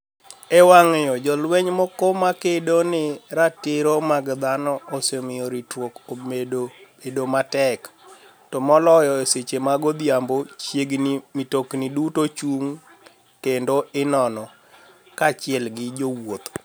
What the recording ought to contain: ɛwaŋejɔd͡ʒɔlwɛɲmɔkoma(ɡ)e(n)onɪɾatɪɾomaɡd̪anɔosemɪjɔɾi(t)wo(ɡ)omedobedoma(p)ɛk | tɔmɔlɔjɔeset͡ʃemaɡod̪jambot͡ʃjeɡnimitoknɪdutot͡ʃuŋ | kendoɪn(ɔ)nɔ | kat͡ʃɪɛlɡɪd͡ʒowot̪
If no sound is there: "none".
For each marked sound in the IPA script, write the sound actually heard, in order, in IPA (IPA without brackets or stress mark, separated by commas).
k, d, t, k, t, ɔ